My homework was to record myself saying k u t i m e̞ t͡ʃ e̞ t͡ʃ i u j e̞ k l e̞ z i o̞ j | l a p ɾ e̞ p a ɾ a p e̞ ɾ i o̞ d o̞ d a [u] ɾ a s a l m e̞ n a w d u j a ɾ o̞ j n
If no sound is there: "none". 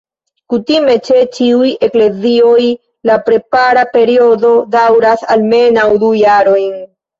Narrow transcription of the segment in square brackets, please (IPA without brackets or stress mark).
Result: w